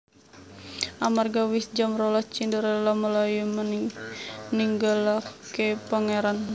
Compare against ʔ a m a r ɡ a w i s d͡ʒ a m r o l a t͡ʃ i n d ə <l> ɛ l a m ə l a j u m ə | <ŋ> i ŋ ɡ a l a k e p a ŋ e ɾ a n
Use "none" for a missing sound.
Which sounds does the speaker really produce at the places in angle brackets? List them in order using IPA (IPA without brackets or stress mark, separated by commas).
ɾ, n